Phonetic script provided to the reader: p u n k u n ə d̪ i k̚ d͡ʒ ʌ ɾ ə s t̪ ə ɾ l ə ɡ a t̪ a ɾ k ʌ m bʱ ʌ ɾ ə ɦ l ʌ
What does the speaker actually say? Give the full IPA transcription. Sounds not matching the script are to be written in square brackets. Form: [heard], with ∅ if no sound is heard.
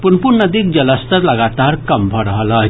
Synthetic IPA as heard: p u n [p] u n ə d̪ i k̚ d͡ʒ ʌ [l] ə s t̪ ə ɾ l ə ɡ a t̪ a ɾ k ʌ m bʱ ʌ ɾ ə ɦ l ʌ